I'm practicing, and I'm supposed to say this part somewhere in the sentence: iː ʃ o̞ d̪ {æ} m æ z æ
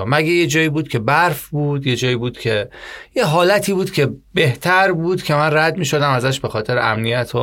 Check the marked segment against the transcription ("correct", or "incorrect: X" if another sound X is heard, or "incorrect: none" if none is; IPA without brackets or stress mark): correct